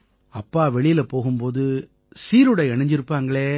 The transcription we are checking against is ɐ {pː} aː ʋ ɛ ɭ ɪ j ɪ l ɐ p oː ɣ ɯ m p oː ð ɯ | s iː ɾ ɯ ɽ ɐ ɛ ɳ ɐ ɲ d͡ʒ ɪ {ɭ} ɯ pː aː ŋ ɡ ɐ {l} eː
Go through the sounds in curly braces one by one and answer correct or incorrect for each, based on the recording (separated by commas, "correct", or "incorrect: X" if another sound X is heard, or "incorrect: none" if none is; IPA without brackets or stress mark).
correct, incorrect: ɾ, incorrect: ɭ